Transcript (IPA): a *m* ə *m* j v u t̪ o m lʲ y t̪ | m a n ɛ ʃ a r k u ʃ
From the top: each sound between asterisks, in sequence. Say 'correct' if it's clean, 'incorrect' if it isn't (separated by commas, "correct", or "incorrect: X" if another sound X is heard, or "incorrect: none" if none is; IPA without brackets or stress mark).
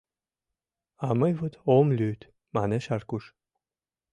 correct, incorrect: none